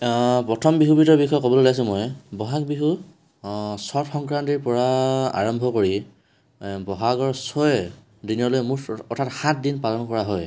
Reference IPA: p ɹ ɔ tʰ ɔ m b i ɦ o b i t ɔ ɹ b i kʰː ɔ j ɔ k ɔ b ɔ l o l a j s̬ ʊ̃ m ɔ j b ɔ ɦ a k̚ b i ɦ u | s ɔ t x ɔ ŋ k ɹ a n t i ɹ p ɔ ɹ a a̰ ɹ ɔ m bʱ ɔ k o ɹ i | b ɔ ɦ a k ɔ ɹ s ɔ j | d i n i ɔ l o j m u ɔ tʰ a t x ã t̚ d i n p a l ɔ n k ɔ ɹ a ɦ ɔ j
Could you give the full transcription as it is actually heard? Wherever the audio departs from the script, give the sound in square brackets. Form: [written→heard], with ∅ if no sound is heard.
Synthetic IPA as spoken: p ɹ ɔ tʰ ɔ m b i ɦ [o→u] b i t ɔ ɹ b i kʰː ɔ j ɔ k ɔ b ɔ l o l a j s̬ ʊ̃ m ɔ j b ɔ ɦ a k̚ b i ɦ u | s ɔ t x ɔ ŋ k ɹ a n t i ɹ p ɔ ɹ a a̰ ɹ ɔ m bʱ ɔ k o ɹ i | b ɔ ɦ a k ɔ ɹ s ɔ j | d i n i ɔ l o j m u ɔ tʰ a t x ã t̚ d i n p a l ɔ n k ɔ ɹ a ɦ ɔ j